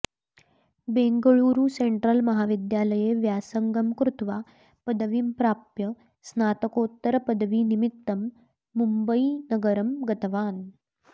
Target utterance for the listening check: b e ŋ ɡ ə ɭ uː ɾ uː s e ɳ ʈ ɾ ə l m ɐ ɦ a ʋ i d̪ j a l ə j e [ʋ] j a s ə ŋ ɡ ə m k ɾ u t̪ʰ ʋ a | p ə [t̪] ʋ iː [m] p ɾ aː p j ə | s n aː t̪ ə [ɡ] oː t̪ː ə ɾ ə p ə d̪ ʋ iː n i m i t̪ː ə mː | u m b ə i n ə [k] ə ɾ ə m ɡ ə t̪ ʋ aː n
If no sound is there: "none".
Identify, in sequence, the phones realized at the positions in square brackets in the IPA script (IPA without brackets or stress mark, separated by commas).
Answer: ʋ, d̪, m, k, ɡ